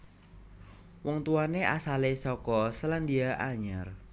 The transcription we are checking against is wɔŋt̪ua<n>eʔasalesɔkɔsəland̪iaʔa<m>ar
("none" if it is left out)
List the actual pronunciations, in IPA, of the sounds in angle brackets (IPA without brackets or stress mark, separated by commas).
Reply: n, ɲ